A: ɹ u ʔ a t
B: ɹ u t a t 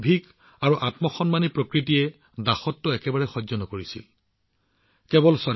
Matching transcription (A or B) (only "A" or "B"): A